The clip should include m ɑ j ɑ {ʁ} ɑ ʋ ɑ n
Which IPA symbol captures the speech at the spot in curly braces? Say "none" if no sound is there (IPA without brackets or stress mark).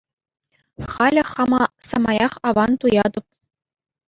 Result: χ